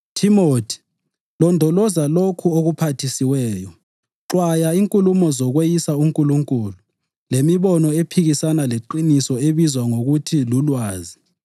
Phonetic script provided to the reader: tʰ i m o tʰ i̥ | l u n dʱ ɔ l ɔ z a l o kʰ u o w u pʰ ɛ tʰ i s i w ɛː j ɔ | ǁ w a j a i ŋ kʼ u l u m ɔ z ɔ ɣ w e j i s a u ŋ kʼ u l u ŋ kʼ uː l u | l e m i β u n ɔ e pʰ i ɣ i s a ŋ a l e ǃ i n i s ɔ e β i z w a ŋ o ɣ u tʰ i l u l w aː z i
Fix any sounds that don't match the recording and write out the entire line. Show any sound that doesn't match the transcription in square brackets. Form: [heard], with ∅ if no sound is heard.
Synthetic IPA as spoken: tʰ i m o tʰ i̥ | l [ɔ] n dʱ ɔ l ɔ z a l o kʰ u o [ɣ] u pʰ [a] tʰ i s i w ɛː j ɔ | ǁ w a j a i ŋ kʼ u l u m ɔ z ɔ ɣ w e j i s a u ŋ kʼ u l u ŋ kʼ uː l u | l e m i β [ɔ] n ɔ e pʰ i ɣ i s a [n] a l e ǃ i n i s ɔ e β i z w a ŋ o ɣ u tʰ i l u l w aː z i